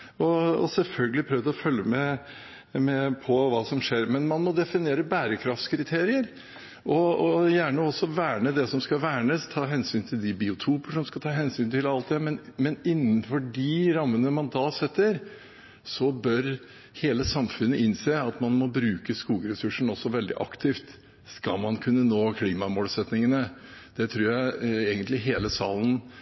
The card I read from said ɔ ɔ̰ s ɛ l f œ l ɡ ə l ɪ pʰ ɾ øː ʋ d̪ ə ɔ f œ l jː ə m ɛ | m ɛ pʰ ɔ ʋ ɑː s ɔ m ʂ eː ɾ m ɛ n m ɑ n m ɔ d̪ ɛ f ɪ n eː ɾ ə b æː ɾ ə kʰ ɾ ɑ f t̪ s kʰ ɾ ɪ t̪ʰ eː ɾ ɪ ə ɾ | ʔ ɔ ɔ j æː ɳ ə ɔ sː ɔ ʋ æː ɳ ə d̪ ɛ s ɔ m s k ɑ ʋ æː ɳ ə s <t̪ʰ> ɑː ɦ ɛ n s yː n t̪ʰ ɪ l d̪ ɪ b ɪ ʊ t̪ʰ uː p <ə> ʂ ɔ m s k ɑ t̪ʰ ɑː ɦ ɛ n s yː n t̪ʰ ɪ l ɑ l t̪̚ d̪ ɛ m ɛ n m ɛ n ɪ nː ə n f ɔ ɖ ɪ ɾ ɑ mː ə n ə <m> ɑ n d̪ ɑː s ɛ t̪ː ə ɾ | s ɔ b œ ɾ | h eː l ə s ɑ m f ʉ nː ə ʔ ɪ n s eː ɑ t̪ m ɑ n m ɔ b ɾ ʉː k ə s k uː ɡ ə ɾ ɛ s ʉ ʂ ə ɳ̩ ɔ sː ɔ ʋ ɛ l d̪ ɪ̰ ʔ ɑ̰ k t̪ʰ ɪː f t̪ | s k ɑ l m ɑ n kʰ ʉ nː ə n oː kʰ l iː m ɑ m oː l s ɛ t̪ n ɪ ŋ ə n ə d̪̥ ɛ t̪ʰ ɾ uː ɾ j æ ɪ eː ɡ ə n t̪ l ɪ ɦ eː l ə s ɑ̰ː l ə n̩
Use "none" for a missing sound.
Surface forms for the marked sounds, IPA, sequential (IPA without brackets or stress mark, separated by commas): t̪ʰ, ə, m